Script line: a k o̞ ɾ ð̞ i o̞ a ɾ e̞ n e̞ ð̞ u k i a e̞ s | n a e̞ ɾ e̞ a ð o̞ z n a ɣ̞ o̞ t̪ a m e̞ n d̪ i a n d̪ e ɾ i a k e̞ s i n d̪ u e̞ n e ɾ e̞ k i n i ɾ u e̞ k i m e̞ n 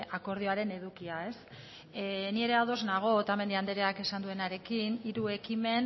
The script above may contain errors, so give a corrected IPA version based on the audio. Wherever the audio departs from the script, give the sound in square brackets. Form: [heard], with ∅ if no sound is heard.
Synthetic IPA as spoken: a k o̞ ɾ ð̞ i o̞ a ɾ e̞ n e̞ ð̞ u k i a e̞ s | n [i] e̞ ɾ e̞ a ð o̞ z n a ɣ̞ o̞ t̪ a m e̞ n d̪ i a n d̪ e ɾ [e] a k e̞ s [a] n d̪ u e̞ n [a] ɾ e̞ k i n i ɾ u e̞ k i m e̞ n